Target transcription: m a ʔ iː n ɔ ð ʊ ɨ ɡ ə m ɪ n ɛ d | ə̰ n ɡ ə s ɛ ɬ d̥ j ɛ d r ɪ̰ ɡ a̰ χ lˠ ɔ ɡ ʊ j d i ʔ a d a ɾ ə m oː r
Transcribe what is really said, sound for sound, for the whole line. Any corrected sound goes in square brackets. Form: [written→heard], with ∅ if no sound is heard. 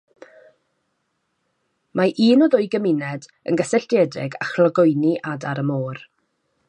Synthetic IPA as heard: m a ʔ iː n ɔ ð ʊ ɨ ɡ ə m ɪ n ɛ d | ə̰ n ɡ ə s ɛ ɬ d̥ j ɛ d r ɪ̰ ɡ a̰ χ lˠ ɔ ɡ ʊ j [d→n] i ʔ a d a ɾ ə m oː r